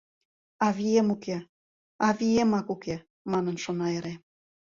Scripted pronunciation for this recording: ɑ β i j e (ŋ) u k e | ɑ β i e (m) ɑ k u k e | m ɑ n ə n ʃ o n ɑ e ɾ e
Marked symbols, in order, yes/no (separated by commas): no, yes